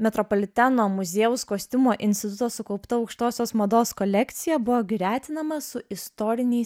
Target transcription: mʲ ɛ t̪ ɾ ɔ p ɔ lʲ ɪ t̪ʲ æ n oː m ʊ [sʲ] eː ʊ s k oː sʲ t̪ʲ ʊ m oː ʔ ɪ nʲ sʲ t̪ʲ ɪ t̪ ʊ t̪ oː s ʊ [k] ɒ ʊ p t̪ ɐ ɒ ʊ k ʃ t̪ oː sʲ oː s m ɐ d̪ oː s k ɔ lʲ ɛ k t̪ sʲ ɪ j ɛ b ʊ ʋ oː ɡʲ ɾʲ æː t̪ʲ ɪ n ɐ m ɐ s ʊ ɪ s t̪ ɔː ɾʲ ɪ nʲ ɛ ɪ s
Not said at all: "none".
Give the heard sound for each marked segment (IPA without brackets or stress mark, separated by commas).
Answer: zʲ, k